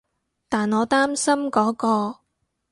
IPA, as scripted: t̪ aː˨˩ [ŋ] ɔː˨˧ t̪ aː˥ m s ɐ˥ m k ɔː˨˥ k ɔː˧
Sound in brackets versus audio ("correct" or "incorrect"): incorrect